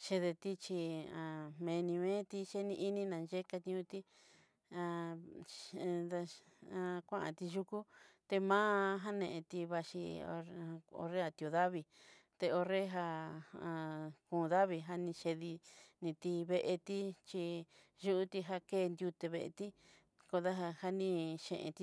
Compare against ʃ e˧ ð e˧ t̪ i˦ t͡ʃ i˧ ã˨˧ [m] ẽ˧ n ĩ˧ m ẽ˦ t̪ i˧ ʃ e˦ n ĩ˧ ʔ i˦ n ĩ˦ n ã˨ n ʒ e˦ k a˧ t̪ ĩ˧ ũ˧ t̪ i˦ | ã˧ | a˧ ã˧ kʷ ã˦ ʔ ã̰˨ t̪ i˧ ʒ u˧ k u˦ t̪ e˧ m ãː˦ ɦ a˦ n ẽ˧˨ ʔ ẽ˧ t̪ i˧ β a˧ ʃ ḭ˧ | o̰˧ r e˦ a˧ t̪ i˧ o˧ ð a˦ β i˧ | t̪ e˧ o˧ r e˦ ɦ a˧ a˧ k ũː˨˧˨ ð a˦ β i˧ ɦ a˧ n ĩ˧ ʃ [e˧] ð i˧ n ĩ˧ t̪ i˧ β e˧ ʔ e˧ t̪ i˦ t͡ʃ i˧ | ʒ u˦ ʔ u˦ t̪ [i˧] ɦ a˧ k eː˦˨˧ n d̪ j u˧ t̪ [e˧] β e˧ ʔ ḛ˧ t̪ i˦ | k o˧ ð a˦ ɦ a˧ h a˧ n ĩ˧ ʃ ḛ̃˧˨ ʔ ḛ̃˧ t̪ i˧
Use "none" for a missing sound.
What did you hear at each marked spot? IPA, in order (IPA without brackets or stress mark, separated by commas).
m, e˧, i˧, e˧